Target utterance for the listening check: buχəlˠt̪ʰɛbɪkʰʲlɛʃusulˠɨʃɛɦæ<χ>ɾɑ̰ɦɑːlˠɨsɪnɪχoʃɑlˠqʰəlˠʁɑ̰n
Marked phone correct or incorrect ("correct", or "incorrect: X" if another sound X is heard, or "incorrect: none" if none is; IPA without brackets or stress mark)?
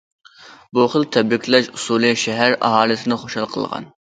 incorrect: none